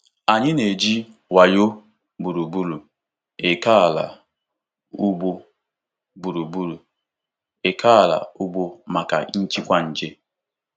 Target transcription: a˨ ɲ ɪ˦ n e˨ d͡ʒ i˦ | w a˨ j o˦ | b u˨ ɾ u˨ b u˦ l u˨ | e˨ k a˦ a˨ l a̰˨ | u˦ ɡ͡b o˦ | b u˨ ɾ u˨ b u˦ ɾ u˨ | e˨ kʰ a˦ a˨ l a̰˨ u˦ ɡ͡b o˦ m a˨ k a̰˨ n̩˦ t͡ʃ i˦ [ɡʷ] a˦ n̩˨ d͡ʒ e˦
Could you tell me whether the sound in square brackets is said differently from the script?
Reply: yes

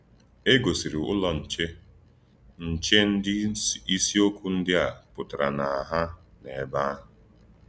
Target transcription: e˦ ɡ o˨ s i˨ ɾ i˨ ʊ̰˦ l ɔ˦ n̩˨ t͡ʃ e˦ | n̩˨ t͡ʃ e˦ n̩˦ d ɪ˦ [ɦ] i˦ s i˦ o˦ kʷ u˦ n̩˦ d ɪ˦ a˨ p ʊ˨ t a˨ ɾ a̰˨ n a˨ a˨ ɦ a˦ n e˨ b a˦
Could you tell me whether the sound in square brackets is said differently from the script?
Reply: yes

